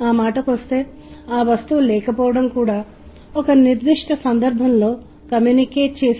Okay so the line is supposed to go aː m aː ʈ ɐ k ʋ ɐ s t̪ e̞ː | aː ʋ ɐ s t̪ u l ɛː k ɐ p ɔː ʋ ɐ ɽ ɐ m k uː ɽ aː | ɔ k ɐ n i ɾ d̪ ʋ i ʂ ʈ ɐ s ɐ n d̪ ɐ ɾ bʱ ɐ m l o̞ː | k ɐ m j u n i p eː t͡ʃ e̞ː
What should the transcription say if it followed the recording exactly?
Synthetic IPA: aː m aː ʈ ɐ k ʋ ɐ s t̪ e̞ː | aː ʋ ɐ s t̪ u l ɛː k ɐ p ɔː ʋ ɐ ɽ ɐ m k uː ɽ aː | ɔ k ɐ n i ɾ d̪ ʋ i ʂ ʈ ɐ s ɐ n d̪ ɐ ɾ bʱ ɐ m l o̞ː | k ɐ m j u n i k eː t͡ʃ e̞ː